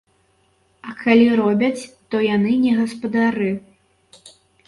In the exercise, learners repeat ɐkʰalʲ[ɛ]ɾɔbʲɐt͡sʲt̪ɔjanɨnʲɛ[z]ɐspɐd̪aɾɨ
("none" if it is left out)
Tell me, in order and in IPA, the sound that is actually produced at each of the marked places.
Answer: i, ɣ

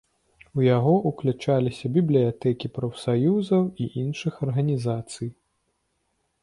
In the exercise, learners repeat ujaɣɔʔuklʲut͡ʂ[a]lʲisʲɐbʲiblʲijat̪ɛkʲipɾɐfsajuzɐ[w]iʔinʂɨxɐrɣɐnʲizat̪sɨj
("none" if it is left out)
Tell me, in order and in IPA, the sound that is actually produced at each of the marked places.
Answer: a, w

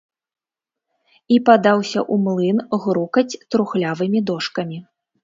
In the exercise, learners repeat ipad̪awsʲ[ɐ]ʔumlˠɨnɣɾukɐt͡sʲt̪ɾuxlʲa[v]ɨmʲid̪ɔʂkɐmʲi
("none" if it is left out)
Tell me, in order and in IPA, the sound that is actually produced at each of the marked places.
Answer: ɐ, v

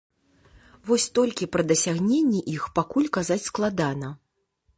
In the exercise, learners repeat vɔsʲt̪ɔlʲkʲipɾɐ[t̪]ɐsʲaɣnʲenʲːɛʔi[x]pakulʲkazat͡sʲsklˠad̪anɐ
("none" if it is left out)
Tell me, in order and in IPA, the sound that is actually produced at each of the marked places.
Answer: d̪, x

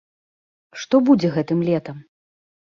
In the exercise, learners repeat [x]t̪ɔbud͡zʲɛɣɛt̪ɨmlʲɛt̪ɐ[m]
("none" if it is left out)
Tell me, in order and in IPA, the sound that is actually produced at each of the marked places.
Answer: ʂ, m

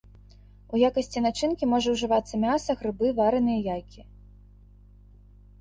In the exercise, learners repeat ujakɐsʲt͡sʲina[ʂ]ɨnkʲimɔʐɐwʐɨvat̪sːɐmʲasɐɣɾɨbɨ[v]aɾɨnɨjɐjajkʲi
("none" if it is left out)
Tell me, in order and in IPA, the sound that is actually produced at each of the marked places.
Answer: t͡ʂ, v

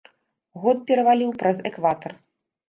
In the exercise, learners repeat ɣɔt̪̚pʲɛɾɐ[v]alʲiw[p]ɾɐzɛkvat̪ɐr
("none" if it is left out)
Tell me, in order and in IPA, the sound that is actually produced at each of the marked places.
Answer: v, p

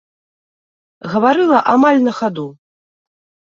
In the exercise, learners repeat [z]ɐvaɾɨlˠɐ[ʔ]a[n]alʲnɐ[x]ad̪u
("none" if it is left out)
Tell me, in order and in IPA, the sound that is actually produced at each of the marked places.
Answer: ɣ, ʔ, m, x

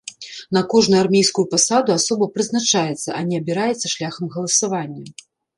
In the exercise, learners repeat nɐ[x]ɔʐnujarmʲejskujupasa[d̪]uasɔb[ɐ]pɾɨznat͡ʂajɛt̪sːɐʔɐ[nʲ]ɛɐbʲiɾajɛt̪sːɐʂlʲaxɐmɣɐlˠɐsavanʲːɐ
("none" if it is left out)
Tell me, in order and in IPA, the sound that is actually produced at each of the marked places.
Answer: k, d̪, ɐ, nʲ

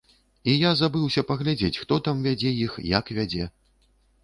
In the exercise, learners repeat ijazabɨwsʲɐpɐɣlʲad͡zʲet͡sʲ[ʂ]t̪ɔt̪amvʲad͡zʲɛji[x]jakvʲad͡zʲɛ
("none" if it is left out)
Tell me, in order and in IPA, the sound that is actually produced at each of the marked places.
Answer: x, x

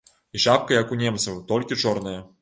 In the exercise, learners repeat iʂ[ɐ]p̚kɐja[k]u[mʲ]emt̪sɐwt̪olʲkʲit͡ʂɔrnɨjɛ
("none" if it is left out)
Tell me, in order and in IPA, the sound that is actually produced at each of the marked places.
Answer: a, k, nʲ

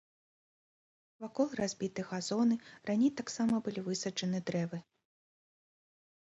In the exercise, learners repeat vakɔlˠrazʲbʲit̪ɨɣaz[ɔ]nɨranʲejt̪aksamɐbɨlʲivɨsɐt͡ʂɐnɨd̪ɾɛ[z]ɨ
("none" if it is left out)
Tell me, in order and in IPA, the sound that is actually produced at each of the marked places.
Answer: ɔ, v

